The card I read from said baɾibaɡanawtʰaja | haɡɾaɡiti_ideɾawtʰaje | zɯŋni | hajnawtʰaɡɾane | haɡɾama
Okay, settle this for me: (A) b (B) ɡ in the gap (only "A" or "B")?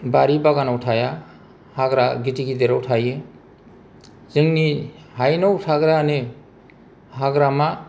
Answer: B